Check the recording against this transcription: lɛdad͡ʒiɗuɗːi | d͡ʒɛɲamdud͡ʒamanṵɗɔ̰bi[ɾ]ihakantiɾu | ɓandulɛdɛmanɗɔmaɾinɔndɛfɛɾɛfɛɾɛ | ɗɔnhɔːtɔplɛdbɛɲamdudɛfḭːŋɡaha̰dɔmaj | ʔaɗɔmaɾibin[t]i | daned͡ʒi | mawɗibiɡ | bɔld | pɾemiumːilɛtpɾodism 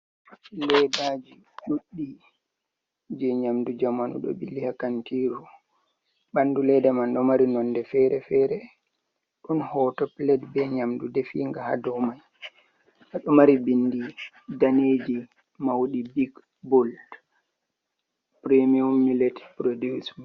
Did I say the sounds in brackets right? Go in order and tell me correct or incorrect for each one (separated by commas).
incorrect, incorrect